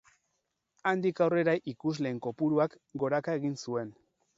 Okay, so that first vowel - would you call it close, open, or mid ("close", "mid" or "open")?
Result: open